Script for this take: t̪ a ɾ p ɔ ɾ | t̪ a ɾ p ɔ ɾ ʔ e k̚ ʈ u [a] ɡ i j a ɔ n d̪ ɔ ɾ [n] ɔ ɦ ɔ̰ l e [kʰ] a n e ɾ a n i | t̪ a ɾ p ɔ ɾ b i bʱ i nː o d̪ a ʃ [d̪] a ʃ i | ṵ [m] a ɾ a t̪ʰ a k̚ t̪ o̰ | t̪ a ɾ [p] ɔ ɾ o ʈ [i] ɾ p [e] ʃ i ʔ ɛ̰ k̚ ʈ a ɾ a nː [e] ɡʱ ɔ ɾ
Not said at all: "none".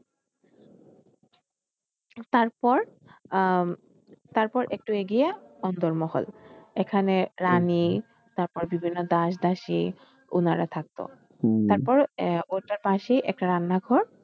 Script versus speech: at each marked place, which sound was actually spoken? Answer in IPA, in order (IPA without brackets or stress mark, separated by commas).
e, m, kʰ, d̪, n, p, a, a, a